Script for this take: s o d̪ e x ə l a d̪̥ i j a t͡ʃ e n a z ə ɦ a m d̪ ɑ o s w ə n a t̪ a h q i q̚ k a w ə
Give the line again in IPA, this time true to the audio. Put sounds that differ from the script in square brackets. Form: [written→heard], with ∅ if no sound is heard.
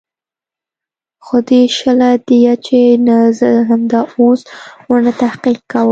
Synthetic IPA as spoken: [s→x] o d̪ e [x→ʃ] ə l a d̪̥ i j a t͡ʃ e n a z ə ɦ a m d̪ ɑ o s w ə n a t̪ a h q i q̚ k a w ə